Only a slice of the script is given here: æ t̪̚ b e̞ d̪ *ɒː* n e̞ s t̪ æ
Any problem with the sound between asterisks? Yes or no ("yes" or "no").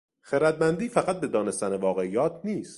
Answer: no